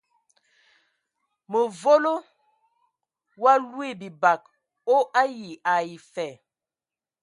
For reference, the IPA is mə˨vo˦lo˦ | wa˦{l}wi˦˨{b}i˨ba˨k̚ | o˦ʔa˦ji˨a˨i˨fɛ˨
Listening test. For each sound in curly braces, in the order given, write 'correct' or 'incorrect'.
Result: correct, correct

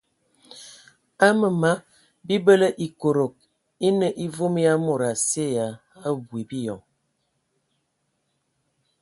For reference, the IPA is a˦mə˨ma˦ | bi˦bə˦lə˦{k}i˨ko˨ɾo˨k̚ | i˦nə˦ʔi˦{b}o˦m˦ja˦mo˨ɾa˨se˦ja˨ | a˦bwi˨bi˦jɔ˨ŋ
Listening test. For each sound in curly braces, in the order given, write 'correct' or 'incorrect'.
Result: incorrect, incorrect

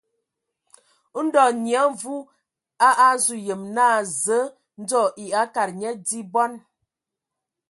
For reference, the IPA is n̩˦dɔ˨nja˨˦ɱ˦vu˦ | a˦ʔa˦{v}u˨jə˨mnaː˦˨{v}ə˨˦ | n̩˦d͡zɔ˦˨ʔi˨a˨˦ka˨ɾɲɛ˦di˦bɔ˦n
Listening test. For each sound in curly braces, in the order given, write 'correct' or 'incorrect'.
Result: incorrect, incorrect

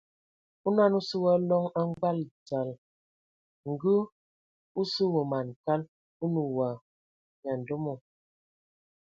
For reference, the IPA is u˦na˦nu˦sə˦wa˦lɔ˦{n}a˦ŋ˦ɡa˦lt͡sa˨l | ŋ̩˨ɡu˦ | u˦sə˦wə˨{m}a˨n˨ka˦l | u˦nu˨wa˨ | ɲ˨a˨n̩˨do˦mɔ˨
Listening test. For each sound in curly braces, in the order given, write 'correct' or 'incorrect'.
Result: incorrect, correct

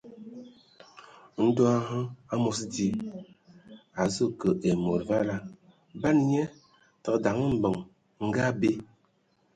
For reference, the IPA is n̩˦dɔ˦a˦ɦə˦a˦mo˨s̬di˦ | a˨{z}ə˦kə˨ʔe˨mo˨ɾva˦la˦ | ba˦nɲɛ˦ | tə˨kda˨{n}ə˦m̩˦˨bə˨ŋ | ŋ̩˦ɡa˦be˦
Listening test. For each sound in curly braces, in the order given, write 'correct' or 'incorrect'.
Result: correct, incorrect

